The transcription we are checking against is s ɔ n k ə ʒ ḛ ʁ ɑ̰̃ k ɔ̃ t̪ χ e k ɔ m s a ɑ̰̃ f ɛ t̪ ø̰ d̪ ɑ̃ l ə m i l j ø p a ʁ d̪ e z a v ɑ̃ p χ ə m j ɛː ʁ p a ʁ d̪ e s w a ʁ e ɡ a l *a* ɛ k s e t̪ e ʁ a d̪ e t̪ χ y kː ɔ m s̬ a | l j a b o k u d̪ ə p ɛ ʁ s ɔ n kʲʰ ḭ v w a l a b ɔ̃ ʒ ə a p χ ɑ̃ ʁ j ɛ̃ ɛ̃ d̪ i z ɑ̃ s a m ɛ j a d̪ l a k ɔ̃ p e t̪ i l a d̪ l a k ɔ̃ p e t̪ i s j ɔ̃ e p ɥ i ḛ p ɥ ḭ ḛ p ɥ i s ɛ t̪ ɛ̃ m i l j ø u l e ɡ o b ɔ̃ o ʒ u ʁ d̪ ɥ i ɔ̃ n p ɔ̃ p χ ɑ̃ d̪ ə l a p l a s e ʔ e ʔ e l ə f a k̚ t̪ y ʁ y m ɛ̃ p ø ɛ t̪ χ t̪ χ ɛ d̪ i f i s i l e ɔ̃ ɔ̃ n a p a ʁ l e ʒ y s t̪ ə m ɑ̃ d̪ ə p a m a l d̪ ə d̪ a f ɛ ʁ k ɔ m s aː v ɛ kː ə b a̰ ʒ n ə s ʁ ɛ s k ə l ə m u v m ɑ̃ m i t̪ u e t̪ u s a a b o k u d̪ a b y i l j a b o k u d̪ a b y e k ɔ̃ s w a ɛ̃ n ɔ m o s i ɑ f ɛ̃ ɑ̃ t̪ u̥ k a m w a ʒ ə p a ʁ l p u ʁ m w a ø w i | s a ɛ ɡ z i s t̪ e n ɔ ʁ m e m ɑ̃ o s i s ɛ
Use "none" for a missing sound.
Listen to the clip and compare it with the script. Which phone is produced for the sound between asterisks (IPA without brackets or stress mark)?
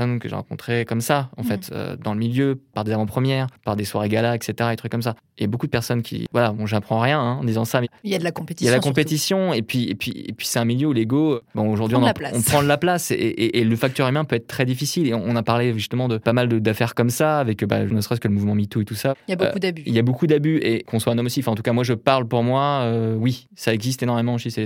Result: a